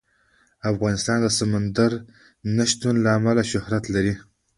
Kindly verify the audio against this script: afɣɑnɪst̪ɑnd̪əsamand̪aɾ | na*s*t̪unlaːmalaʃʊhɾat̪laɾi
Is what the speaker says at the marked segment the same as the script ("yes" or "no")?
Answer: no